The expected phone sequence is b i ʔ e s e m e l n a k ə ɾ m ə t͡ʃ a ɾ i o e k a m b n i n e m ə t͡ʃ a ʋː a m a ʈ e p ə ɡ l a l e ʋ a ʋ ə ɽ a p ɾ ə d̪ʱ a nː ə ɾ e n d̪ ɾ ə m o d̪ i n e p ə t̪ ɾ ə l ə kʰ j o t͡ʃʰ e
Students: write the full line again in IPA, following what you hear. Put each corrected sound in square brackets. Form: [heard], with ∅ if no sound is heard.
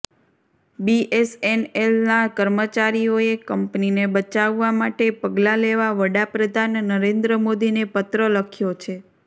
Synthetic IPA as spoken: b i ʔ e s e [n] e l n a k ə ɾ m ə t͡ʃ a ɾ i o e k [ə] m [p] n i n e [b] ə t͡ʃ a ʋː a m a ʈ e p ə ɡ l a l e ʋ a ʋ ə ɽ a p ɾ ə d̪ʱ a nː ə ɾ e n d̪ ɾ ə m o d̪ i n e p ə t̪ ɾ ə l ə kʰ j o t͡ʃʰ e